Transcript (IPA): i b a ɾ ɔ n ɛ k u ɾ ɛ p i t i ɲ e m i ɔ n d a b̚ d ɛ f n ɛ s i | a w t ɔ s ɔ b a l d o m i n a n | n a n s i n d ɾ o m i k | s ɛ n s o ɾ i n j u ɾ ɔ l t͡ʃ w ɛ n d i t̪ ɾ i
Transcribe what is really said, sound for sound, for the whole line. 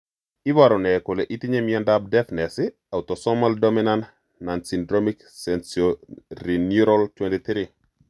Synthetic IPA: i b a ɾ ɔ n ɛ k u l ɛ ʔ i t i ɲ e m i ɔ n d a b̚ d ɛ f n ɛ s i | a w t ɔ s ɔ m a l d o m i n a n | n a n s i n d ɾ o m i k | s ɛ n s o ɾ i n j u ɾ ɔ l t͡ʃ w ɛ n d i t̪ ɾ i

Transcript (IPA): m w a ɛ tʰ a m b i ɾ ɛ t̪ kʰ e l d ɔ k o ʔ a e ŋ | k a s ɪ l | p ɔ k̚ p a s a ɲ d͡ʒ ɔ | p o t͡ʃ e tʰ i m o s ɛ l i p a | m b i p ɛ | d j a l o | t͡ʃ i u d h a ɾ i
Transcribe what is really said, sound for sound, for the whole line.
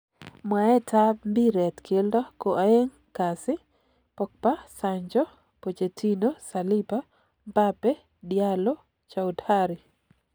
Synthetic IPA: m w a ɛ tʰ a m b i ɾ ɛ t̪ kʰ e l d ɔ k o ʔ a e ŋ | k a s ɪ | p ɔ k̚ p a s a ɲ d͡ʒ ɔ | p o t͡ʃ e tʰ i n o s a l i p a | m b a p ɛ | d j a l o | t͡ʃ a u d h a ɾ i

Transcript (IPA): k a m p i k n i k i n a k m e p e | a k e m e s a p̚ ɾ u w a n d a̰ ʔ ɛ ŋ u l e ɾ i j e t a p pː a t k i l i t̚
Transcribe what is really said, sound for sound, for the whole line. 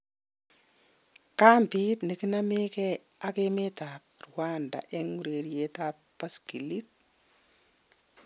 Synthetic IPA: k a m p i t n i k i n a m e k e | a k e m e t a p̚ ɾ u w a n d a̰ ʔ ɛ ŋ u ɾ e ɾ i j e t a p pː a s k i l i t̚

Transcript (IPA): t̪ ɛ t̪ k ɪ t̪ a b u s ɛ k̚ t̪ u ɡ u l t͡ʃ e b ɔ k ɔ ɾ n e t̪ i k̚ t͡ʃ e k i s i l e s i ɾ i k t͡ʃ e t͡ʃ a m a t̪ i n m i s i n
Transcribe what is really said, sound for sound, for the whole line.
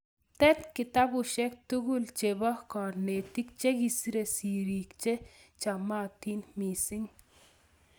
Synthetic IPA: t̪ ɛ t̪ k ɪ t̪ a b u ʃ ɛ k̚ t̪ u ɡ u l t͡ʃ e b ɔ k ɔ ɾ n e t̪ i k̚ t͡ʃ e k i s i ɾ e s i ɾ i k t͡ʃ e t͡ʃ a m a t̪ i n m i s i ŋ

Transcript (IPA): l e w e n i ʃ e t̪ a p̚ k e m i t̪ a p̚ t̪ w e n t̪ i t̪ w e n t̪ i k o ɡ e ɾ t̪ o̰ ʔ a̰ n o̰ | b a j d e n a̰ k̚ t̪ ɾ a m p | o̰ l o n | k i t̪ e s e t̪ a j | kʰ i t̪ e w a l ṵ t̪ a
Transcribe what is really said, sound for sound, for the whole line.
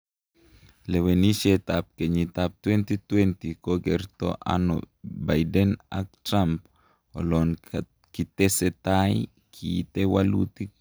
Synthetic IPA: l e w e n i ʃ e t̪ a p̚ k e ɲ i t̪ a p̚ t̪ w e n t̪ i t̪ w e n t̪ i k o ɡ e ɾ t̪ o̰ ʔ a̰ n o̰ | b a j d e n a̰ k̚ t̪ ɾ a m p | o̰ l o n | k i t̪ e s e t̪ a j | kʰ i t̪ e w a l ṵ t̪ i

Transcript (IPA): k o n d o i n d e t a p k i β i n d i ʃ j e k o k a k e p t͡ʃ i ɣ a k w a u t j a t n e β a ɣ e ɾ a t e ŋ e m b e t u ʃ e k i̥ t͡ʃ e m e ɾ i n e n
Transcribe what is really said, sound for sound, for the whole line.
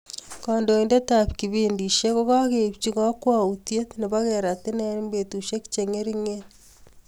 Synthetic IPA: k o n d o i n d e t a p k i β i n d i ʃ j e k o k a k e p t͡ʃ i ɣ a k w a u t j e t n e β a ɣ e ɾ a t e n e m b e t u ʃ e k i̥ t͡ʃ e ŋ e ɾ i ŋ e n

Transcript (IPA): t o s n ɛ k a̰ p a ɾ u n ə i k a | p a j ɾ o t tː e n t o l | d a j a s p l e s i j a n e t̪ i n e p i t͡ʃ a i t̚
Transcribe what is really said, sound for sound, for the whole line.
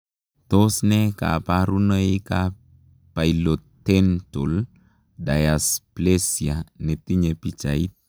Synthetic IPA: t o s n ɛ k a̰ p a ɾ u n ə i k a | p a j l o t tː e n t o l | d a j a s p l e s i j a n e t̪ i ɲ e p i t͡ʃ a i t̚

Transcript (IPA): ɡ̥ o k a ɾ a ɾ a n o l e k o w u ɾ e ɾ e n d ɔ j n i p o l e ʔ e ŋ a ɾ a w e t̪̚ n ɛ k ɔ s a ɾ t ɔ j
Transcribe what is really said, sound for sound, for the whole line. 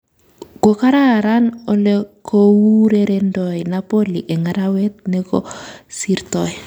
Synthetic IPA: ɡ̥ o k a ɾ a ɾ a n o l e k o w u ɾ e ɾ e n d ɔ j n a p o l i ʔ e ŋ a ɾ a w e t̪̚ n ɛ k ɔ s i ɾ t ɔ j

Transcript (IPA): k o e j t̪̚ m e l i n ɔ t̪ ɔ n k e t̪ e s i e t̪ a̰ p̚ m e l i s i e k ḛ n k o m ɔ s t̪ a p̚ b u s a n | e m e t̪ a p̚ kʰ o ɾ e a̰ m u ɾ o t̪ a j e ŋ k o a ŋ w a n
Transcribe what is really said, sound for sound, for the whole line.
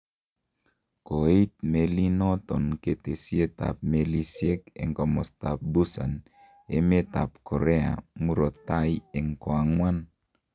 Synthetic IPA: k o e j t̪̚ m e l i n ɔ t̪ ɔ n k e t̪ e s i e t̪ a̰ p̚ m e l i s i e k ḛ ŋ k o m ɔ s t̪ a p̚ b u s a n | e m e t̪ a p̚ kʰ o ɾ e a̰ m u ɾ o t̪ a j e ŋ k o a ŋ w a n

